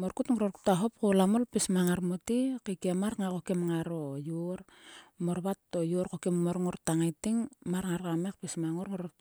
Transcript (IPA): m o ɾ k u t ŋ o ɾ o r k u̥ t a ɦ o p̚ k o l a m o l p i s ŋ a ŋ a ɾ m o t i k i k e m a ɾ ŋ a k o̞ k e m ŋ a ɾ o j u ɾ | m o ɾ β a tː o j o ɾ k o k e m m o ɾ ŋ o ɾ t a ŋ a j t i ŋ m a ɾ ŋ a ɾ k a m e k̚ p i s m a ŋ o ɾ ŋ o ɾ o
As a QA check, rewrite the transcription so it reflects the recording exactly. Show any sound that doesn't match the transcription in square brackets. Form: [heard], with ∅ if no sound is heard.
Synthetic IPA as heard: m o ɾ k u t ŋ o ɾ o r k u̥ t a ɦ o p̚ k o l a m o l p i s [m] a ŋ a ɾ m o t i k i k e m a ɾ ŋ a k o̞ k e m ŋ a ɾ o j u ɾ | m o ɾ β a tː o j o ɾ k o k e m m o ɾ ŋ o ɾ t a ŋ a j t i ŋ m a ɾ ŋ a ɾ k a m e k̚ p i s m a ŋ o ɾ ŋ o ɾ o